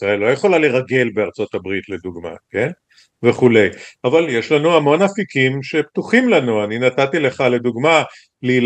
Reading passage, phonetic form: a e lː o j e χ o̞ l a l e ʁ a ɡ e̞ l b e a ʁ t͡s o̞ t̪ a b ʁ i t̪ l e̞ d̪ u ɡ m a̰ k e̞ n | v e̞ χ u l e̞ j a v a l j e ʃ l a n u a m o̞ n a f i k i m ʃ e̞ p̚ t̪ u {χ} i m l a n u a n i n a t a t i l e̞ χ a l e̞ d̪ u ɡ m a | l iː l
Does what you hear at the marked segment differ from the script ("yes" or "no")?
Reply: no